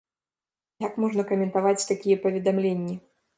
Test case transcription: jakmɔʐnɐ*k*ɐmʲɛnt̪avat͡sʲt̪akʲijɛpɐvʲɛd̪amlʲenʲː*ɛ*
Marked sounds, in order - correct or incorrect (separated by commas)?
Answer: correct, incorrect